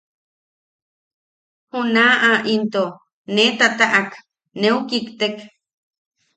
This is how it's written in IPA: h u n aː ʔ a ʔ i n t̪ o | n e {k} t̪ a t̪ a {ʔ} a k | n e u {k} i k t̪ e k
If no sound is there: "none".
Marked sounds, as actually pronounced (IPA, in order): none, ʔ, k

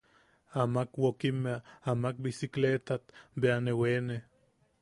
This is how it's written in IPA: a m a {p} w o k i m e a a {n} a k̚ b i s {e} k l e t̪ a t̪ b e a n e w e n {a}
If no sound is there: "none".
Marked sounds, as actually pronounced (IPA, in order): k, m, i, e

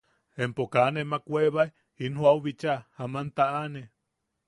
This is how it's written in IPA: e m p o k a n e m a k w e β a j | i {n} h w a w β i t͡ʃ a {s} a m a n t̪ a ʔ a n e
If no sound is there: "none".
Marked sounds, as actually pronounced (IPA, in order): n, h

